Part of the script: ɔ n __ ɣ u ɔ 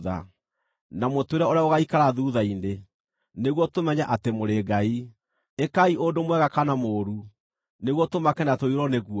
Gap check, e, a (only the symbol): e